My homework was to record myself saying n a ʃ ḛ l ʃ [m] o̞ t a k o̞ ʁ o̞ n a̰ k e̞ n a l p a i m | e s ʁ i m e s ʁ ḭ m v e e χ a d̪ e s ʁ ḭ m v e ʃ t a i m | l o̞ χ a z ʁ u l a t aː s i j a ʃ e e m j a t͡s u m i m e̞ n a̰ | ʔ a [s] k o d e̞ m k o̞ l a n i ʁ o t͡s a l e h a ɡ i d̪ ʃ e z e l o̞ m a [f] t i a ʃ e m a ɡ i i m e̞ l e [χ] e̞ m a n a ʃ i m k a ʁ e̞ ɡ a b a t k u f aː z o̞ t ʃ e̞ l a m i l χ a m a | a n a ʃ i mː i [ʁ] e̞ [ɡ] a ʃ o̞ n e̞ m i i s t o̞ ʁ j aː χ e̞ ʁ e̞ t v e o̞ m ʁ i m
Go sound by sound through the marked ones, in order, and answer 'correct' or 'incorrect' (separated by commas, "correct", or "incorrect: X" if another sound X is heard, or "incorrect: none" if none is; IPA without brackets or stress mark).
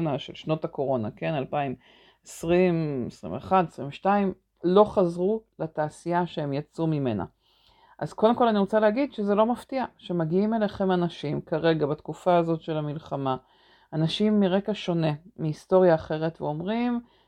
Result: incorrect: n, incorrect: z, correct, correct, correct, incorrect: k